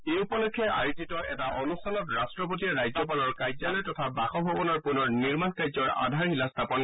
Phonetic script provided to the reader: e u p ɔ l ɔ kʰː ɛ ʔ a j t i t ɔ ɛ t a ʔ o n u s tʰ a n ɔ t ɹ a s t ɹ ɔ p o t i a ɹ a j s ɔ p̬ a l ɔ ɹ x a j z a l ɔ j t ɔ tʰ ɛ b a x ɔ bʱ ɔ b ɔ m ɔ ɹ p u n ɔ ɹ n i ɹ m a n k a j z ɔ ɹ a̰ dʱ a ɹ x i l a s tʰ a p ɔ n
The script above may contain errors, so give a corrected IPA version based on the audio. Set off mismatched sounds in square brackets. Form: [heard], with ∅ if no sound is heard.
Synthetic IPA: e u p ɔ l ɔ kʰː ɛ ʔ a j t i t ɔ ɛ t a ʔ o n u s tʰ a n ɔ t ɹ a s t ɹ ɔ p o t i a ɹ a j [z] ɔ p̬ a l ɔ ɹ [k] a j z a l ɔ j t ɔ tʰ [a] b a x ɔ bʱ ɔ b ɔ [n] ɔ ɹ p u n ɔ ɹ n i ɹ m a n k a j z ɔ ɹ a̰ dʱ a ɹ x i l a s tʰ a p ɔ n